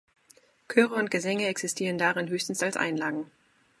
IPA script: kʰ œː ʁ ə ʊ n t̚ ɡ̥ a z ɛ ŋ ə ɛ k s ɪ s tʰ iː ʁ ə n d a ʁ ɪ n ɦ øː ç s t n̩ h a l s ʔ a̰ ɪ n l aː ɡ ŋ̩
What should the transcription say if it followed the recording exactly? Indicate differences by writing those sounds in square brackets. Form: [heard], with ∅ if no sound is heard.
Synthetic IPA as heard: kʰ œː ʁ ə ʊ n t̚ ɡ̥ [ə] z ɛ ŋ ə ɛ k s ɪ s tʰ iː ʁ ə n d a ʁ ɪ n ɦ øː ç s t n̩ [s] a l s ʔ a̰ ɪ n l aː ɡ ŋ̩